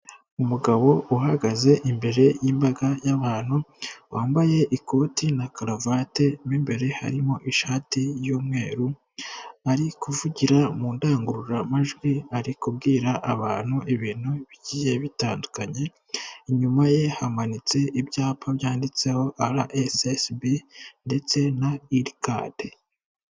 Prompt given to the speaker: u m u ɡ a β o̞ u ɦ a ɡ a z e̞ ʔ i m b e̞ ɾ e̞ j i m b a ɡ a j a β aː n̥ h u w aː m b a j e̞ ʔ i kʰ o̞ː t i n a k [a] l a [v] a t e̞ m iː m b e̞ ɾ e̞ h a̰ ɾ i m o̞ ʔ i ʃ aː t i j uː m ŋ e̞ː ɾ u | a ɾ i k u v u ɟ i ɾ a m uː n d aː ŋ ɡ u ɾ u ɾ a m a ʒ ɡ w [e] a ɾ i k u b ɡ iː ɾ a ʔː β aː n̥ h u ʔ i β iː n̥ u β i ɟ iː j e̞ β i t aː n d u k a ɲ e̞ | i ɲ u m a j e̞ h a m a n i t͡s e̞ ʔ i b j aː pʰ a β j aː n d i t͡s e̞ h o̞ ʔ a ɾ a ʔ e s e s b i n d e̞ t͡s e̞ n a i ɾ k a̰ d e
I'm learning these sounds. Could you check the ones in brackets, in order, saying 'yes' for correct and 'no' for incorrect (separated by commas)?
yes, yes, no